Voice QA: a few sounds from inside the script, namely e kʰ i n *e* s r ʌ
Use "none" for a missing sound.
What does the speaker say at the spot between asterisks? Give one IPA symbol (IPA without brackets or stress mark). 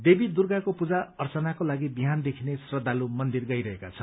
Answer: e